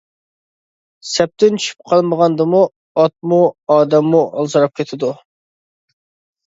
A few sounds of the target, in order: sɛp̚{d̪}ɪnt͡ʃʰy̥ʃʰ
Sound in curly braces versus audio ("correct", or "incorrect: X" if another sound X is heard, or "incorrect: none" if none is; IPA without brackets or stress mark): incorrect: t̪